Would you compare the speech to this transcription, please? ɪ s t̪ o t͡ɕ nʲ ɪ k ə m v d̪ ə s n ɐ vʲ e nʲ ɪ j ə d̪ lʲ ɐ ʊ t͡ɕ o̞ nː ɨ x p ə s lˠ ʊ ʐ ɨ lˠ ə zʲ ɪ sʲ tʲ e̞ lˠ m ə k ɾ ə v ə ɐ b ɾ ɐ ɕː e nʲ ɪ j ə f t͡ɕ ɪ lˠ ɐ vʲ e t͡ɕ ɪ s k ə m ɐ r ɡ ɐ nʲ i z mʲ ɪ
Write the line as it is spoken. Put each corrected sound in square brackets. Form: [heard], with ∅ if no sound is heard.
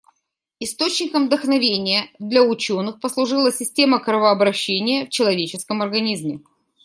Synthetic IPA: ɪ s t̪ o t͡ɕ nʲ ɪ k ə m v d̪ ə [x] n ɐ vʲ e nʲ ɪ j ə d̪ lʲ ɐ ʊ t͡ɕ o̞ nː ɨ x p ə s lˠ ʊ ʐ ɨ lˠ ə [sʲ] ɪ sʲ tʲ e̞ [∅] m ə k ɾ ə v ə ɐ b ɾ ɐ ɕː e nʲ ɪ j ə f t͡ɕ ɪ lˠ ɐ vʲ e t͡ɕ ɪ s k ə m ɐ r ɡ ɐ nʲ i z mʲ ɪ